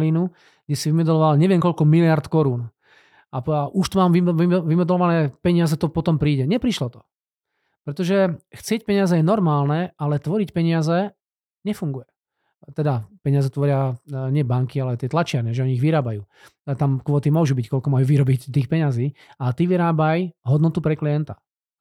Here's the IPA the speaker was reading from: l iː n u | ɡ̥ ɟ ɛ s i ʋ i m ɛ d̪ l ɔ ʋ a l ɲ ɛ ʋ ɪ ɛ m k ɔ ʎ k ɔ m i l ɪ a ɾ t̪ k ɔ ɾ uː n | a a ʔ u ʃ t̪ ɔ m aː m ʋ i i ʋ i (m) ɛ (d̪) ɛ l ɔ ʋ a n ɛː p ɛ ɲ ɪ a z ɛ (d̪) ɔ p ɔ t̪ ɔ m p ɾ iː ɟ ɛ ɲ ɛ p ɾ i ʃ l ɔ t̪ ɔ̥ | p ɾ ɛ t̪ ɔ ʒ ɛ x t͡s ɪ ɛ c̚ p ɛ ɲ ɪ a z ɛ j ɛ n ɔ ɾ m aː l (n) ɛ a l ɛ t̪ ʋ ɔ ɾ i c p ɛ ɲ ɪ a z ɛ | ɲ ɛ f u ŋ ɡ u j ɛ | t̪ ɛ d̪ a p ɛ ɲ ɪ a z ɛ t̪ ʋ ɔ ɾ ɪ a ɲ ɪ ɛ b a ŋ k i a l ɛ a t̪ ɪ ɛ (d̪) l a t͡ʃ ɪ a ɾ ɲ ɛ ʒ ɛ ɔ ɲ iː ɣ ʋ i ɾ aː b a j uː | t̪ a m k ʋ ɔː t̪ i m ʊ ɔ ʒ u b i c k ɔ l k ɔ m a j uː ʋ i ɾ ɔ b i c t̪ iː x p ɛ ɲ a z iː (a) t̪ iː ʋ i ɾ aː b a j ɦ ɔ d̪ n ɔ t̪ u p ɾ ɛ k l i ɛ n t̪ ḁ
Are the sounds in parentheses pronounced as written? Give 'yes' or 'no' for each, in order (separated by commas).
yes, yes, no, yes, no, yes